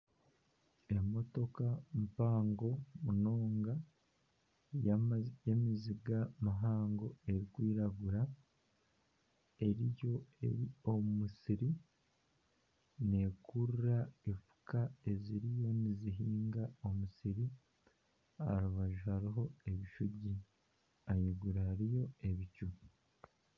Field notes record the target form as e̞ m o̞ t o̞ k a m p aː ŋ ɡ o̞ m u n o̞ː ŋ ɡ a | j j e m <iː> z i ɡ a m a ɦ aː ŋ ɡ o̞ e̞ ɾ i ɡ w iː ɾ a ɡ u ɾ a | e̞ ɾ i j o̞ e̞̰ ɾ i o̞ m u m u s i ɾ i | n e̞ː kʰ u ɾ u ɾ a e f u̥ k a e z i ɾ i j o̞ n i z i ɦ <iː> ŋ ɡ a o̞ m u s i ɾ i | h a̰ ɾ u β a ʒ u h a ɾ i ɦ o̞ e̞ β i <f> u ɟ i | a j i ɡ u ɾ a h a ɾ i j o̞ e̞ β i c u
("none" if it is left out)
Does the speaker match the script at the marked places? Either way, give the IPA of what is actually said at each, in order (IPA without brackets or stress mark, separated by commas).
i, iː, ʃ